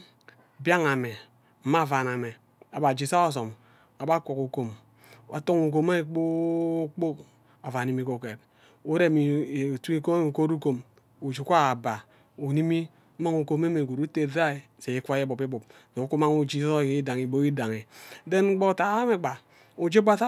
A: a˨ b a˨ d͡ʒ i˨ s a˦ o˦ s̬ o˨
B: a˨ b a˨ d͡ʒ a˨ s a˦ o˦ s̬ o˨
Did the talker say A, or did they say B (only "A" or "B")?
A